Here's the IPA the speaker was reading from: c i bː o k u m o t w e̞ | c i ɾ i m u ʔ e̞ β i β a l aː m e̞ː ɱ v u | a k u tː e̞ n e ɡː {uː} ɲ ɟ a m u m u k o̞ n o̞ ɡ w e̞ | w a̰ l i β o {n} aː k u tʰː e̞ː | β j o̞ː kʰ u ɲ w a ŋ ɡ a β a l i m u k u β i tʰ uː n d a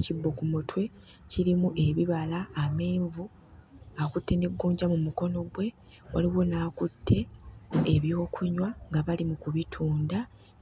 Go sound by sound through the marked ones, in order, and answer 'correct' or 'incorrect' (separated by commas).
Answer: correct, correct